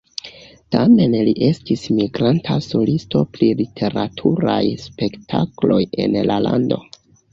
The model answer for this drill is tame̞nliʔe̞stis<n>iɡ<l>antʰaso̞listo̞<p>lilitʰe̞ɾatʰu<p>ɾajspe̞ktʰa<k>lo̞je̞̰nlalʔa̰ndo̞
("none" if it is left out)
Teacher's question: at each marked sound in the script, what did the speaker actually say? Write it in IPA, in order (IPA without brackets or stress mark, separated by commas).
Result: m, ɾ, p, none, k